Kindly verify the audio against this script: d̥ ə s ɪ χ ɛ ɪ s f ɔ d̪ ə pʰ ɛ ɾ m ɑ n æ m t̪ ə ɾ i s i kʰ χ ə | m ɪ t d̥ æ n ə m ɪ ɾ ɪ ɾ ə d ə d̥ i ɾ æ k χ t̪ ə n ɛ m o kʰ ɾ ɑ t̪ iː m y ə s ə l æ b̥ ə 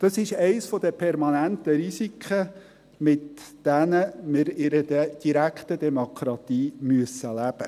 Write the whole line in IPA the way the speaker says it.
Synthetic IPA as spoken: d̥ ɑ s ɪ ʃ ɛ ɪ s f ɔ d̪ ə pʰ ɛ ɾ m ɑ n æ n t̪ ə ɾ i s i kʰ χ ə | m ɪ t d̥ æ n ə m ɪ ɾ ɪ ɾ ə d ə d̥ i ɾ æ k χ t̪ ə d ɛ m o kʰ ɾ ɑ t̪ iː m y ə s ə l æ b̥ ə